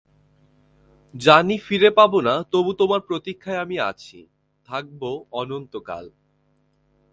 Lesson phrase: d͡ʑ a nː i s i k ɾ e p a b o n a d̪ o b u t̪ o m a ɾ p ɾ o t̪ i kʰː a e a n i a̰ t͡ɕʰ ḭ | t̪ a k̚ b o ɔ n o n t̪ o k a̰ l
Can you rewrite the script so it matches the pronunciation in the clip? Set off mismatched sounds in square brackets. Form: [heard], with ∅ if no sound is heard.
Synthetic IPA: d͡ʑ a [n] i [f] i [∅] ɾ e p a b o n a [t̪] o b u t̪ o m a ɾ p ɾ o t̪ i kʰː a e a [m] i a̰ t͡ɕʰ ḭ | [t̪ʰ] a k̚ b o ɔ n o n t̪ o k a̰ l